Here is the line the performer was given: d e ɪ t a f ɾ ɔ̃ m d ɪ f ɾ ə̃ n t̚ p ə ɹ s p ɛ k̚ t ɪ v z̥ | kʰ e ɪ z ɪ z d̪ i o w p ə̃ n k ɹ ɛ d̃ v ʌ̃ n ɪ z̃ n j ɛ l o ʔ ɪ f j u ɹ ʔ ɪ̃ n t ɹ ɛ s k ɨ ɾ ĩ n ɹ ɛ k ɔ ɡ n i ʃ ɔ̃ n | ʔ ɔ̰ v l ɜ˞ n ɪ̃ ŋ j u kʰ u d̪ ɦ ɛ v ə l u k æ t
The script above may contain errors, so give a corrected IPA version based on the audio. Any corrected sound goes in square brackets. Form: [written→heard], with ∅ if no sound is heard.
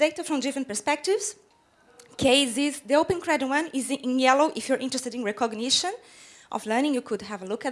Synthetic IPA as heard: d e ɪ t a f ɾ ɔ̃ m d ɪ f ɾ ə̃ n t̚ p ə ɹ s p ɛ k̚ t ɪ v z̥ | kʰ e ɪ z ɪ z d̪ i o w p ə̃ n k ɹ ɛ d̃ [v→w] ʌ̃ n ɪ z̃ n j ɛ l o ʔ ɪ f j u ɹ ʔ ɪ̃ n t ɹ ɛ s [k→t] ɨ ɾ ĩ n ɹ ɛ k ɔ ɡ n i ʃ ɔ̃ n | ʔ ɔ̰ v l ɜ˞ n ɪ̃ ŋ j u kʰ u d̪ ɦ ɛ v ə l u k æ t

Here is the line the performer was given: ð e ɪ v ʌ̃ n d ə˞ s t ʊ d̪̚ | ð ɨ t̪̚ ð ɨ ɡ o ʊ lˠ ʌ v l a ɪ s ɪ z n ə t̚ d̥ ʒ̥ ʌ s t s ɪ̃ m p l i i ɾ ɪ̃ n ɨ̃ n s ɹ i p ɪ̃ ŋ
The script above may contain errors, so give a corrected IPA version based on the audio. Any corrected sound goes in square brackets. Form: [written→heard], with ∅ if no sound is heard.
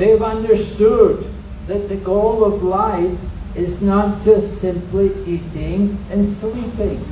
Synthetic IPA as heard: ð e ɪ v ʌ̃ n d ə˞ s t ʊ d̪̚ | ð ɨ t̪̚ ð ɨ ɡ o ʊ lˠ ʌ v l a ɪ [s→f] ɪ z n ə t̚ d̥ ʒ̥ ʌ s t s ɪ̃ m p l i i ɾ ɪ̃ [n→ŋ] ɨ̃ n s [ɹ→l] i p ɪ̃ ŋ

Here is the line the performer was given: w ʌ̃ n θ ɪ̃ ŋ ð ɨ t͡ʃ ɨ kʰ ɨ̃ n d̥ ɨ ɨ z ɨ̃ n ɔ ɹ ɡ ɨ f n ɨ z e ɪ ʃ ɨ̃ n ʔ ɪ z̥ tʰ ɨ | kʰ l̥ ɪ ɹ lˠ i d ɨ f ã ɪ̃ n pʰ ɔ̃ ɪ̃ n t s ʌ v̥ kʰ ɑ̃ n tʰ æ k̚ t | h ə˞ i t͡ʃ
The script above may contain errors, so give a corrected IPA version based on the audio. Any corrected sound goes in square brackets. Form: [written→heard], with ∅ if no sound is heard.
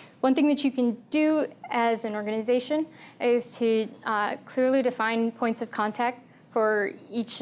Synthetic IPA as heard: w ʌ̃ n θ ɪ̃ ŋ ð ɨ t͡ʃ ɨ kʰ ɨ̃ n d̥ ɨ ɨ z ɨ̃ n ɔ ɹ ɡ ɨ [f→∅] n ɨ z e ɪ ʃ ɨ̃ n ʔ ɪ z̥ tʰ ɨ | kʰ l̥ ɪ ɹ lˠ i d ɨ f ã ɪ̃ n pʰ ɔ̃ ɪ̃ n t s ʌ v̥ kʰ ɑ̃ n tʰ æ k̚ t | [h→f] ə˞ i t͡ʃ

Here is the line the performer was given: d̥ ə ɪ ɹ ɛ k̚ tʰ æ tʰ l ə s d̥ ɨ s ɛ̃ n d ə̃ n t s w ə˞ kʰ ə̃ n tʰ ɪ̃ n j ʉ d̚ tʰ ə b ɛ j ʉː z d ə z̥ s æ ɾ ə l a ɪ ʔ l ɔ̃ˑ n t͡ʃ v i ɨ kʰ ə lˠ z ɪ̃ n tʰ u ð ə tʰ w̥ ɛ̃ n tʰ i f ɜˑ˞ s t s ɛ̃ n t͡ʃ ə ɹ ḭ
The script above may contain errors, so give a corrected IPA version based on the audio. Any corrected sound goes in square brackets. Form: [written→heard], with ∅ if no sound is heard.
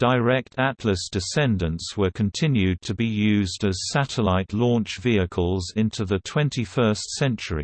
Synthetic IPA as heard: d̥ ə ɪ ɹ ɛ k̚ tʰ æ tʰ l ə s d̥ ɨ s ɛ̃ n d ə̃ n t s w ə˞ kʰ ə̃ n tʰ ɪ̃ n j ʉ d̚ tʰ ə b [ɛ→i] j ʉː z d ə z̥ s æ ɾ ə l a ɪ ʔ l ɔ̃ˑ n t͡ʃ v i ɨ kʰ ə lˠ z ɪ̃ n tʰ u ð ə tʰ w̥ ɛ̃ n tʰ i f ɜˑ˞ s t s ɛ̃ n t͡ʃ ə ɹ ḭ

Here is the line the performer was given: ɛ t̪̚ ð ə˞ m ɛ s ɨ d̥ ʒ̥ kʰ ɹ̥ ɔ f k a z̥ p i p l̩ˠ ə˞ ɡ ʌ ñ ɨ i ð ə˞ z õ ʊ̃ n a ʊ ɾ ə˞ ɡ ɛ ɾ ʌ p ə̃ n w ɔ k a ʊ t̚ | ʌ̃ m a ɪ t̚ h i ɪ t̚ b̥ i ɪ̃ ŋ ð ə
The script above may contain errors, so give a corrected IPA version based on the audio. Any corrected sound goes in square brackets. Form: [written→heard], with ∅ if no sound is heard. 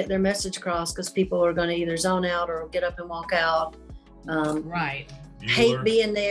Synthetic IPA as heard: ɛ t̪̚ ð ə˞ m ɛ s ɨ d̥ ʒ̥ kʰ ɹ̥ ɔ [f→s] k [a→ʌ] z̥ p i p l̩ˠ ə˞ ɡ ʌ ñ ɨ i ð ə˞ z õ ʊ̃ n a ʊ ɾ ə˞ ɡ ɛ ɾ ʌ p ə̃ n w ɔ k a ʊ t̚ | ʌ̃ m a ɪ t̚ h [i→e] ɪ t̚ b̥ i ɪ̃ ŋ ð ə

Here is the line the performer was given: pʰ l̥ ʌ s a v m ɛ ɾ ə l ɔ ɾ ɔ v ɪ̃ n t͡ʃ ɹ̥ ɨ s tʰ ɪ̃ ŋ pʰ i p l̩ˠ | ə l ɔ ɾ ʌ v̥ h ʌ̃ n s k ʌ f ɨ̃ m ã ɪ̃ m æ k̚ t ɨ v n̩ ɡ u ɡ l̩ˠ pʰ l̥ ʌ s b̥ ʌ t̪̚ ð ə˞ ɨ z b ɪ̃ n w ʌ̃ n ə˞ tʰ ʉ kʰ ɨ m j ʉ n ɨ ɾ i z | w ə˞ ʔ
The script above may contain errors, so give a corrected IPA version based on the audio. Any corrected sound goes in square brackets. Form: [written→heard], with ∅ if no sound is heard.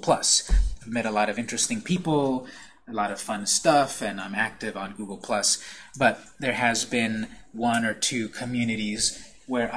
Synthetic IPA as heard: pʰ l̥ ʌ s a v m ɛ ɾ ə l ɔ ɾ [ɔ→ʌ] v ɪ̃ n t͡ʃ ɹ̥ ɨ s [tʰ→t] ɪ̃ ŋ pʰ i p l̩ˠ | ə l ɔ ɾ ʌ v̥ [h→f] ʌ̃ n s [k→t] ʌ f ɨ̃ [m→n] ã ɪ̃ m æ k̚ t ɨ v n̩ ɡ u ɡ l̩ˠ pʰ l̥ ʌ s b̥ ʌ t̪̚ ð ə˞ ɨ z b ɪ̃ n w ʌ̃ n ə˞ tʰ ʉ kʰ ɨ m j ʉ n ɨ ɾ i z | w ə˞ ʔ

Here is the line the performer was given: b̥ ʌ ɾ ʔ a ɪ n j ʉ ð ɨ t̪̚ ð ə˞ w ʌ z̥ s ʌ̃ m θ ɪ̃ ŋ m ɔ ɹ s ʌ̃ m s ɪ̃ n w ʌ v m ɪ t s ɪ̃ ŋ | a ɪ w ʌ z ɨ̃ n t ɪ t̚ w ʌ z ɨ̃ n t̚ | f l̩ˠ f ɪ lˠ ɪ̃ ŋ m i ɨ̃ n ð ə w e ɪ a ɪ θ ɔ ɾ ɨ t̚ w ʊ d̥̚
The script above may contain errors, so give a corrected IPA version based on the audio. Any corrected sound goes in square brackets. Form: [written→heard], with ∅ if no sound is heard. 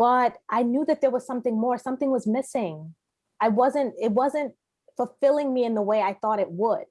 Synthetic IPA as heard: b̥ ʌ ɾ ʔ a ɪ n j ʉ ð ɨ t̪̚ ð ə˞ w ʌ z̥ s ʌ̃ m θ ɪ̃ ŋ m ɔ ɹ s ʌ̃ m [s→θ] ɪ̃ [n→ŋ] w ʌ [v→z] m ɪ [t→∅] s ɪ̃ ŋ | a ɪ w ʌ z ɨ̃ n t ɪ t̚ w ʌ z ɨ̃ n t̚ | f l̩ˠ f ɪ lˠ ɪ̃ ŋ m i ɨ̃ n ð ə w e ɪ a ɪ θ ɔ ɾ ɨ t̚ w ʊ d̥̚

